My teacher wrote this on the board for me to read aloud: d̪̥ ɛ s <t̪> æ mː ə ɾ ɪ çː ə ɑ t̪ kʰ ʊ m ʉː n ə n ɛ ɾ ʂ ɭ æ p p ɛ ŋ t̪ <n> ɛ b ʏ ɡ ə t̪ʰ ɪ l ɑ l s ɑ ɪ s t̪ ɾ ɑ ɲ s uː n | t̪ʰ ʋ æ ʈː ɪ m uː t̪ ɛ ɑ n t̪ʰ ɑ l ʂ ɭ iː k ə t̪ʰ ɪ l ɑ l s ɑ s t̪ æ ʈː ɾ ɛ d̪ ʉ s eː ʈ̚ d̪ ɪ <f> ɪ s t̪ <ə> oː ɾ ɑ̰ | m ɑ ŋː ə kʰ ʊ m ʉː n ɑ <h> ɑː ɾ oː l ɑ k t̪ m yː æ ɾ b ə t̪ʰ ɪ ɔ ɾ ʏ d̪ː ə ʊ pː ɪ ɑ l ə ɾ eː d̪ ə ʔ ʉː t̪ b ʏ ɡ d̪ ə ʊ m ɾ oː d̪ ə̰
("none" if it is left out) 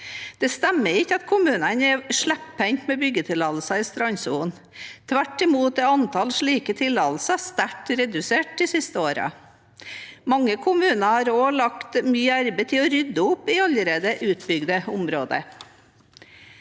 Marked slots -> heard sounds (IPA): t̪, m, s, ə, h

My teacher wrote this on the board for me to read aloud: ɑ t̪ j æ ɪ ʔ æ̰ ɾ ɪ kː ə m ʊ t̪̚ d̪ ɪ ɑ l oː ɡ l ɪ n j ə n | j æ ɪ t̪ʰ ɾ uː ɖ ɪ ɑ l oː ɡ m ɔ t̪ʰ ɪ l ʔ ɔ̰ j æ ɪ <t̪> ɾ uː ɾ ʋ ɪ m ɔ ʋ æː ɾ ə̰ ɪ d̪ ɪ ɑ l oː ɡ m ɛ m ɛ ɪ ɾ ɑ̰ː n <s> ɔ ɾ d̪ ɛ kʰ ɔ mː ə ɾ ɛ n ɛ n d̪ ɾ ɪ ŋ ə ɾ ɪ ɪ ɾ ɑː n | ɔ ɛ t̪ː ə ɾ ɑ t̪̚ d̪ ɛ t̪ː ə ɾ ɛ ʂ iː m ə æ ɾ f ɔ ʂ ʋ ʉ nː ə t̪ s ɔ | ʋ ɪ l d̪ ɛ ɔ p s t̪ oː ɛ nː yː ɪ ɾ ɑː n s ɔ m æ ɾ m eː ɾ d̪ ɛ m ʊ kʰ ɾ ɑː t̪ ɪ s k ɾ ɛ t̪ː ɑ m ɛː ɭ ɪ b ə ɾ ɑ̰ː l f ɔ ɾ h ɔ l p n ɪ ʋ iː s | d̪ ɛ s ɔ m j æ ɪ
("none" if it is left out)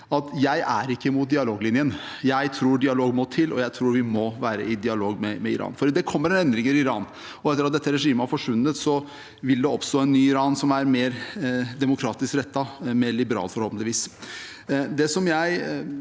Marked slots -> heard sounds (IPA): t̪ʰ, f

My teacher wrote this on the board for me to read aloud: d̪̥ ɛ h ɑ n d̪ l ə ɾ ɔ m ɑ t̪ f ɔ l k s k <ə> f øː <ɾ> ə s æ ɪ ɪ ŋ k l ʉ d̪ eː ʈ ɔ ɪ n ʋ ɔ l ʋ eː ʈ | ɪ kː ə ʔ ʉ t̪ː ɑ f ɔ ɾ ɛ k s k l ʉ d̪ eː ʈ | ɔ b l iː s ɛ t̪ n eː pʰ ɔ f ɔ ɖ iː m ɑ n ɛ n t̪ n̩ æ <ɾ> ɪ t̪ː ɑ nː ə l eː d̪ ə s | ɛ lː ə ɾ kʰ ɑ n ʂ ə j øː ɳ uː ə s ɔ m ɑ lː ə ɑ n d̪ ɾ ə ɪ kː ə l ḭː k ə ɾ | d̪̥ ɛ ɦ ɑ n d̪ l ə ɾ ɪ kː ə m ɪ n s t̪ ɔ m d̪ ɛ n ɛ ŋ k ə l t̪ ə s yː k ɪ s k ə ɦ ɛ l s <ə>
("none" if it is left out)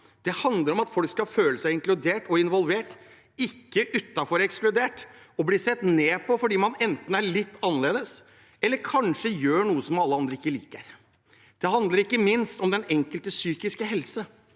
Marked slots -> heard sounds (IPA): ɑ, l, ɭ, ə

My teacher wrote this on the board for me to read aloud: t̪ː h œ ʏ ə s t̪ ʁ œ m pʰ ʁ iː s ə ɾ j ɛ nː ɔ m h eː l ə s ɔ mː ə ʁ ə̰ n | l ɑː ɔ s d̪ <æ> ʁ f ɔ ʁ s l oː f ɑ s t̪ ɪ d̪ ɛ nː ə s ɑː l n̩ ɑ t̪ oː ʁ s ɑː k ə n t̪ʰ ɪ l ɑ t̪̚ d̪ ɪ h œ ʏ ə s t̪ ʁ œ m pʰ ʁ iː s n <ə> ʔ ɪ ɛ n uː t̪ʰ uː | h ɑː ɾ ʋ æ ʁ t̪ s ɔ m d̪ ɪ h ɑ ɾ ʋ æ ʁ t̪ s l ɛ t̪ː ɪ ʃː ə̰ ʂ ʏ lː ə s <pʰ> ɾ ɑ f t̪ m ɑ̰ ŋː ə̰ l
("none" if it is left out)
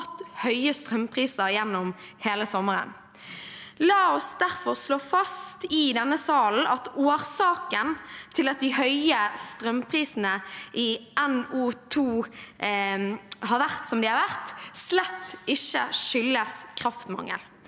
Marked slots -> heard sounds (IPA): æ, ə, kʰ

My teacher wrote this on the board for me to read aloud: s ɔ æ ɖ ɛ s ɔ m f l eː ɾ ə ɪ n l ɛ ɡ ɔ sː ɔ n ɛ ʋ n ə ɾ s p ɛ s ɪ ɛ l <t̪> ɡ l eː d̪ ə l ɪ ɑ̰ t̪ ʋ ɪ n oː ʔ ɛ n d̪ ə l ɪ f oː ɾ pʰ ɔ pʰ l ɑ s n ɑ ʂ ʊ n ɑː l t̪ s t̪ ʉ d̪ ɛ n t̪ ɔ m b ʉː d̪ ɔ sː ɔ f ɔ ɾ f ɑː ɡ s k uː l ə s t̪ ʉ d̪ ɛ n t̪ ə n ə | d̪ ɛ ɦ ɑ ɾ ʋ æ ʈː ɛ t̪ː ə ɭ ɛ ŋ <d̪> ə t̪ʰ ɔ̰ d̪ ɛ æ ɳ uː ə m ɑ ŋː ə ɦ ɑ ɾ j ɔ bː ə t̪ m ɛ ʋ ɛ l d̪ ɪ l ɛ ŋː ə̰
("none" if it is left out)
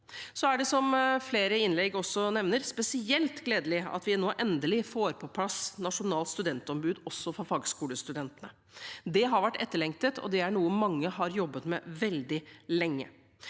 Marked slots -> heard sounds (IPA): t̪, t̪

